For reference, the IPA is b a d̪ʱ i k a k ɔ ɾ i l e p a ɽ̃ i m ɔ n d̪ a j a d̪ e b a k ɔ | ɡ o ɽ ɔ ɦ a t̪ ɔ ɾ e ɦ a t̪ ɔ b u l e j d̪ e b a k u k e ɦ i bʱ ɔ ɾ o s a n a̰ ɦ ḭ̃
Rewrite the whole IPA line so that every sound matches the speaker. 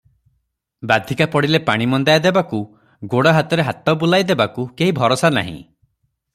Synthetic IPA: b a d̪ʱ i k a p ɔ ɽ i l e p a ɽ̃ i m ɔ n d̪ a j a d̪ e b a k u | ɡ o ɽ ɔ ɦ a t̪ ɔ ɾ e ɦ a t̪ ɔ b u l a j d̪ e b a k u k e ɦ i bʱ ɔ ɾ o s a n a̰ ɦ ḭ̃